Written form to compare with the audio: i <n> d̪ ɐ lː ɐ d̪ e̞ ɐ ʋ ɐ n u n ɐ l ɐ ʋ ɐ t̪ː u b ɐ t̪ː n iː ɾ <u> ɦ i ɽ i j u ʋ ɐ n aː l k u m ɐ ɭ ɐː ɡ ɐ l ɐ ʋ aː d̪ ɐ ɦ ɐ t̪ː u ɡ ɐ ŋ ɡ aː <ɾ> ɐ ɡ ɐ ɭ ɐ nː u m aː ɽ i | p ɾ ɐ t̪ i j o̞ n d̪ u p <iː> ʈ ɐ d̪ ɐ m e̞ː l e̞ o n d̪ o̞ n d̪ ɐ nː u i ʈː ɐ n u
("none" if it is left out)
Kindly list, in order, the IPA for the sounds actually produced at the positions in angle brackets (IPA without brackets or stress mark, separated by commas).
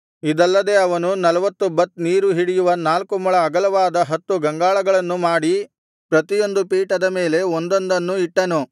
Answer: none, u, ɭ, iː